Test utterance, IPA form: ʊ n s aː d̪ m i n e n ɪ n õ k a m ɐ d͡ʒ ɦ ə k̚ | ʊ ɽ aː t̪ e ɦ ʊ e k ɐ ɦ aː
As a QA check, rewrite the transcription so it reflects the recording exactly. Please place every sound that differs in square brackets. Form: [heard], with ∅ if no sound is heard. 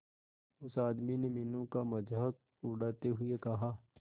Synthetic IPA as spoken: ʊ [∅] s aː d̪ m i n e [m] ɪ n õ k a m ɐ d͡ʒ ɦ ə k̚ | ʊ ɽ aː t̪ e ɦ ʊ e k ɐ ɦ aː